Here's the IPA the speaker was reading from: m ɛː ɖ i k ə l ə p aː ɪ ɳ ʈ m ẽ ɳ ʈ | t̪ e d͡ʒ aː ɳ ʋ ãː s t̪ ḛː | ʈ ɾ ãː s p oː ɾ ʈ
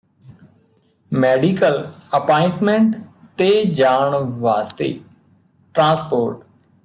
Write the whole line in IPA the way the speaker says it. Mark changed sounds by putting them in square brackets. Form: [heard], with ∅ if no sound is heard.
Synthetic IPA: m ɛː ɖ i k ə l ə p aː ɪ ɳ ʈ m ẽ ɳ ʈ | t̪ e d͡ʒ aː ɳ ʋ [aː] s t̪ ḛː | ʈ ɾ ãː s p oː ɾ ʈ